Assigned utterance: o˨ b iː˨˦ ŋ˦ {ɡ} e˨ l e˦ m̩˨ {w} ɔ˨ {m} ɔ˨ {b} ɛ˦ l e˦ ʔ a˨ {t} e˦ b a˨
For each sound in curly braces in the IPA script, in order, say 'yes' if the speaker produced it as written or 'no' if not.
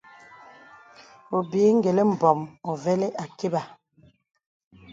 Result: yes, no, yes, no, no

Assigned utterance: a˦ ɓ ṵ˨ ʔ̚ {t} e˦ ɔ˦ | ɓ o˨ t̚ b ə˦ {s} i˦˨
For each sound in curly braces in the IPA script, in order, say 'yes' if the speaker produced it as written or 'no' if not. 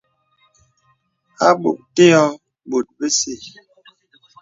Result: yes, yes

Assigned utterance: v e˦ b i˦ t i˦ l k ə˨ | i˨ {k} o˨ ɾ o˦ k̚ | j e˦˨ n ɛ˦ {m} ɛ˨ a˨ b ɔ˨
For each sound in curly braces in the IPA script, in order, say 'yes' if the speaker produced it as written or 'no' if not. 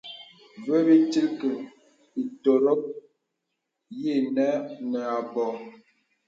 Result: no, no

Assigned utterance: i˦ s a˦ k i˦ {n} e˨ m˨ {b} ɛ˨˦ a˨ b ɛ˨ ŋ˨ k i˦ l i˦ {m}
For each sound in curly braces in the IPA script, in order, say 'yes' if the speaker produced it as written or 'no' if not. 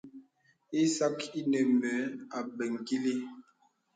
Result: yes, yes, no

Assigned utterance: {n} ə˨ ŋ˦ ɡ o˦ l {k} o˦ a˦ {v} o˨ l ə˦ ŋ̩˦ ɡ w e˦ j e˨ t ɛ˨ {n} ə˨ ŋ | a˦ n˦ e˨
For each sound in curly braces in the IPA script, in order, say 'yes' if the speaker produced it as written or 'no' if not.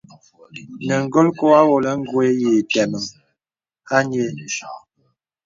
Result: yes, yes, no, no

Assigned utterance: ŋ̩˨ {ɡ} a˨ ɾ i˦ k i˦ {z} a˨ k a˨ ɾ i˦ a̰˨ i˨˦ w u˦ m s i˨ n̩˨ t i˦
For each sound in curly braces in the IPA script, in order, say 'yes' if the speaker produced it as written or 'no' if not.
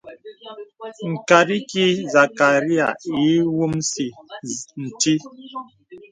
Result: no, yes

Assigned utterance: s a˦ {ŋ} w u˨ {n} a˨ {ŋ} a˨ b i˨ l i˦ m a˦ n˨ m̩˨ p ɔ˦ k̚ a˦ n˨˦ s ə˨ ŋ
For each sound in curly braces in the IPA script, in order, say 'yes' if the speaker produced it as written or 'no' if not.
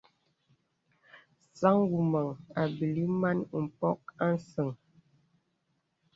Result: yes, no, yes

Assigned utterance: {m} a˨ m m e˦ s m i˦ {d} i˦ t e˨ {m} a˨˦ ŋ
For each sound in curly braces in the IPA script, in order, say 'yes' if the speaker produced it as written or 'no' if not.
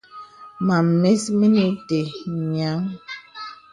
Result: yes, no, no

